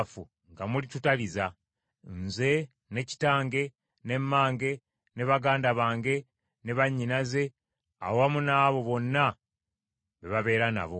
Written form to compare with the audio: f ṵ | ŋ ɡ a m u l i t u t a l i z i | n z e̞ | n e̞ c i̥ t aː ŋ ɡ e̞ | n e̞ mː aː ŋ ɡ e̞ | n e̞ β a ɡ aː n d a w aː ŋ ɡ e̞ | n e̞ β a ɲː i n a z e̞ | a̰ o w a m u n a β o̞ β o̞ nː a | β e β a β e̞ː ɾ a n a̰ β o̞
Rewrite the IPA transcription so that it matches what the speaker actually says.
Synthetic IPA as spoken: f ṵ | ŋ ɡ a m u l i t u t a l i z a | n z e̞ | n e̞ c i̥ t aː ŋ ɡ e̞ | n e̞ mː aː ŋ ɡ e̞ | n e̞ β a ɡ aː n d a β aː ŋ ɡ e̞ | n e̞ β a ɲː i n a z e̞ | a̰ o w a m u n a β o̞ β o̞ nː a | β e β a β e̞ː ɾ a n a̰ β o̞